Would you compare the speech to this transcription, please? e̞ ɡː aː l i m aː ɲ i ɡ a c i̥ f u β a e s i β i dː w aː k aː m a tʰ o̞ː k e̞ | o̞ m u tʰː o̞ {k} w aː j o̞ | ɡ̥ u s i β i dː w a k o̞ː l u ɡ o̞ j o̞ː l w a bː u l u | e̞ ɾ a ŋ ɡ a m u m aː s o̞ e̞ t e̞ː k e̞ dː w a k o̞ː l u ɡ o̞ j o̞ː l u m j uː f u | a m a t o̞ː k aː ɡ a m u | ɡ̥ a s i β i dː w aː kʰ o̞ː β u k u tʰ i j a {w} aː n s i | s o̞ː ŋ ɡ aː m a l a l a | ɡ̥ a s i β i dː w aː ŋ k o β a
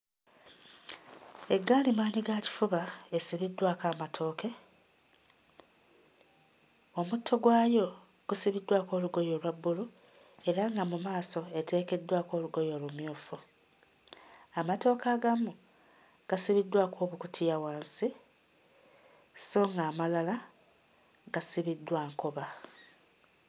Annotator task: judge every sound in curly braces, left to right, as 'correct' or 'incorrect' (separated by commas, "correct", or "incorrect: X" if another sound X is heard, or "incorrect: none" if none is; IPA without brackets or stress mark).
incorrect: ɡ, correct